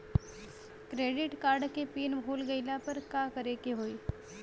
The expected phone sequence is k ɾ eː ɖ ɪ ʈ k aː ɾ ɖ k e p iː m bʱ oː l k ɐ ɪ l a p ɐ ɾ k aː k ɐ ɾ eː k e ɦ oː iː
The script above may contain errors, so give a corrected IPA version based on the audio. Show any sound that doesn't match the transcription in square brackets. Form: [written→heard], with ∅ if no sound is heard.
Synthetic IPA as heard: k ɾ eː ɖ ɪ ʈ k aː ɾ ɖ k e p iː [m→n] bʱ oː l [k→ɡ] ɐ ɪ l a p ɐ ɾ k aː k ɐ ɾ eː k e ɦ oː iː